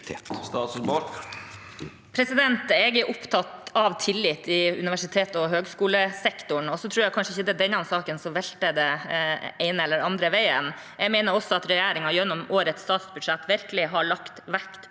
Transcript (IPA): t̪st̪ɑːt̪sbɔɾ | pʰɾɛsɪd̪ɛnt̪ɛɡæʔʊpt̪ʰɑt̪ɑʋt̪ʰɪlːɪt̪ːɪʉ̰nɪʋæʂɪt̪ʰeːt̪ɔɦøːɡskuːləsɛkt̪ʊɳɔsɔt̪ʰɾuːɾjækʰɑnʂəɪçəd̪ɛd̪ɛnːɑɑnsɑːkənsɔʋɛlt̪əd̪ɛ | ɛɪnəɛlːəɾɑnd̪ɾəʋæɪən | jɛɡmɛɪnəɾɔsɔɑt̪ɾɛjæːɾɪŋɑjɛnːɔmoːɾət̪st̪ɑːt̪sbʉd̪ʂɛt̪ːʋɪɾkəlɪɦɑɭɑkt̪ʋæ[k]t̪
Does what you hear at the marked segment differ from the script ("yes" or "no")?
no